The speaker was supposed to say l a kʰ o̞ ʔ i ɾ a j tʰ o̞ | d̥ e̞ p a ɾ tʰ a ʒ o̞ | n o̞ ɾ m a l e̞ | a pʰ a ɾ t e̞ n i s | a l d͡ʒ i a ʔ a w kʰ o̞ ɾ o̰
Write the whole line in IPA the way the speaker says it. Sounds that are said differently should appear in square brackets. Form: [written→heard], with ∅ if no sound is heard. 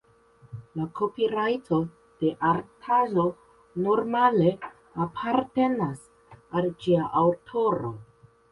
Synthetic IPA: l a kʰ o̞ [ʔ→p] i ɾ a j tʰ o̞ | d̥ e̞ [p→ʔ] a ɾ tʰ a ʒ o̞ | n o̞ ɾ m a l e̞ | a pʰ a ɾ t e̞ n [i→a] s | a l d͡ʒ i a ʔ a w [kʰ→tʰ] o̞ ɾ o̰